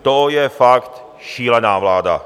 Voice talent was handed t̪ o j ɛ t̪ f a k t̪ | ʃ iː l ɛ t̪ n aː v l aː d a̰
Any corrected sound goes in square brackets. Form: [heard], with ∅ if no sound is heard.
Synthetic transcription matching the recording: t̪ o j ɛ [∅] f a k t̪ | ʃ iː l ɛ [∅] n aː v l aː d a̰